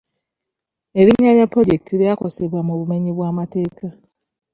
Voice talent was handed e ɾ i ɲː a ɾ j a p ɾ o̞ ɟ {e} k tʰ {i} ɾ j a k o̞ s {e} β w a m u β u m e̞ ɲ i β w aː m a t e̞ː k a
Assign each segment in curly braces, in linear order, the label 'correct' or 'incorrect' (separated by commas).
correct, correct, correct